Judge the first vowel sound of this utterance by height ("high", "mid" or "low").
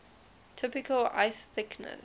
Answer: high